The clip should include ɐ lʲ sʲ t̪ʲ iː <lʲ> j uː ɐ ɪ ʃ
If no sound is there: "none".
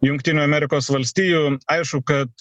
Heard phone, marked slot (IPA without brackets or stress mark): none